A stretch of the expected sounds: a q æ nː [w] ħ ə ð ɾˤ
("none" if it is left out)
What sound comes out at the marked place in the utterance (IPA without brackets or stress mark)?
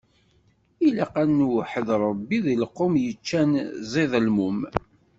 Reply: w